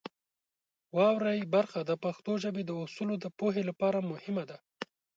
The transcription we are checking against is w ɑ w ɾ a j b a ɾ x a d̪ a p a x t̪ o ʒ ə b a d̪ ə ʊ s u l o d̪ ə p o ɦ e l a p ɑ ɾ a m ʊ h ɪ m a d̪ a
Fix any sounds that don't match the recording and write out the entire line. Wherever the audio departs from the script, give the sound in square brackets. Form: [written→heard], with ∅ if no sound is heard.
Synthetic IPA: w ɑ w ɾ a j b a ɾ x a d̪ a p a x t̪ o ʒ ə b [a→e] d̪ ə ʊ s u l o d̪ ə p o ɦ e l a p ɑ ɾ a m ʊ h ɪ m a d̪ a